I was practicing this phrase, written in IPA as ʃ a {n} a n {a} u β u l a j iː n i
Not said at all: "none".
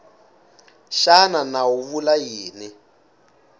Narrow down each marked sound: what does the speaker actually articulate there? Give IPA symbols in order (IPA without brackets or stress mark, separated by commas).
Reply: n, a